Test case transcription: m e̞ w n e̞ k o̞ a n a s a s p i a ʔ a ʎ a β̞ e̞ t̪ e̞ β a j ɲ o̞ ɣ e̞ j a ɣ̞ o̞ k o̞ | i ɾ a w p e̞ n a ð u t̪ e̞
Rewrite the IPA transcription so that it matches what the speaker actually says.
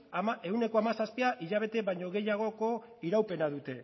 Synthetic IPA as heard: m e̞ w n e̞ k o̞ a m a s a s p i a ʔ i ʎ a β̞ e̞ t̪ e̞ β a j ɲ o̞ ɣ e̞ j a ɣ̞ o̞ k o̞ | i ɾ a w p e̞ n a ð u t̪ e̞